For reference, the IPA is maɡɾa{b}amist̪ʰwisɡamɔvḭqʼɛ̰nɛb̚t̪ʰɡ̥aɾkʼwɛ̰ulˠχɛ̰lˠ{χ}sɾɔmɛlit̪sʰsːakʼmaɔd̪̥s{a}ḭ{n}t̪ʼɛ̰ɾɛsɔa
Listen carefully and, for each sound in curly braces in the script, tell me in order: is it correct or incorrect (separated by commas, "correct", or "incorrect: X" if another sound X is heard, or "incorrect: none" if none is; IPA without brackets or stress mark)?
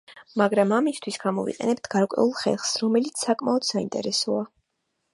incorrect: m, correct, correct, correct